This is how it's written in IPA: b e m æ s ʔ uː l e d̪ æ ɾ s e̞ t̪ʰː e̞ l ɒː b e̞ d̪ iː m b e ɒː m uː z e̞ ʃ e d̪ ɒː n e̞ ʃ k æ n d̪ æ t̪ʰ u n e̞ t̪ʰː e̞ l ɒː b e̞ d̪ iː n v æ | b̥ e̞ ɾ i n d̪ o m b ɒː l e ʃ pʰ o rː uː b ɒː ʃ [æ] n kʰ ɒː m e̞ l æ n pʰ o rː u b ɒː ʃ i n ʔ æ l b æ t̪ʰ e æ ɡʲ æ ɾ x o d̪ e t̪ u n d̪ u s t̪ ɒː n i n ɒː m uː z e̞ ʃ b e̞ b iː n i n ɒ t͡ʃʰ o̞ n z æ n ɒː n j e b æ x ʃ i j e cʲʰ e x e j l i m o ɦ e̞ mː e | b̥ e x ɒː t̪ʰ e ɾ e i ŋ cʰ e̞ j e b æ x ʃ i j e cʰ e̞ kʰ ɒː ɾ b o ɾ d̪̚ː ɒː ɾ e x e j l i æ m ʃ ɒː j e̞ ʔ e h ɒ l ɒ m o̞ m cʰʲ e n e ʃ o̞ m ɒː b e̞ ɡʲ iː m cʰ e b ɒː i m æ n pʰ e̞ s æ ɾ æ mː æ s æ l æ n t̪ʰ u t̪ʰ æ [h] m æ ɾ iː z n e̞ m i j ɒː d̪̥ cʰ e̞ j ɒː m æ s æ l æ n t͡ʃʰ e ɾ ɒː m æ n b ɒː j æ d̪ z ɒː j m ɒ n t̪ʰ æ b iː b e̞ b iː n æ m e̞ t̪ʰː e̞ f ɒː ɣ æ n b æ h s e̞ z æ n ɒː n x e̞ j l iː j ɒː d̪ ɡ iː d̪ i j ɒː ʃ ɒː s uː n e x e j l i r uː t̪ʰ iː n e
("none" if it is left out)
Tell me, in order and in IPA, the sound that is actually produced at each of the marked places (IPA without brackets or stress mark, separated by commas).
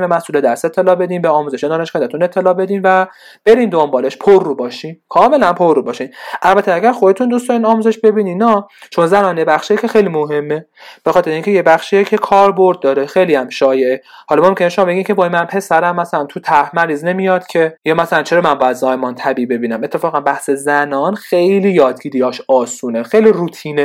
i, h